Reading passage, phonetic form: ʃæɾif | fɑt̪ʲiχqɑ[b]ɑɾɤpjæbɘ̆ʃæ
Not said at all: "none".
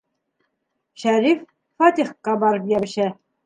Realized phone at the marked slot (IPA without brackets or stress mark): b